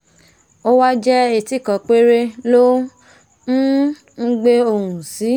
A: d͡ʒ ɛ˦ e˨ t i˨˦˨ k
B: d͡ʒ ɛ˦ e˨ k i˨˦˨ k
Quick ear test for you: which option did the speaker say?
A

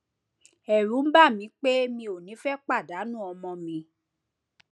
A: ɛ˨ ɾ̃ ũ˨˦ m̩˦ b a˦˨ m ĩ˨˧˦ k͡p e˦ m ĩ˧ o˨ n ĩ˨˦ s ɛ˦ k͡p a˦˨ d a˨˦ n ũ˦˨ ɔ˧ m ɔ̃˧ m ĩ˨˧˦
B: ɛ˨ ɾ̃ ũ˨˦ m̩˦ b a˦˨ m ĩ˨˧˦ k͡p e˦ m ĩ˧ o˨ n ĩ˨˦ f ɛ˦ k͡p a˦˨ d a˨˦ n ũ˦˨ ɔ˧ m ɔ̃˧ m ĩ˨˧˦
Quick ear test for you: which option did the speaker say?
B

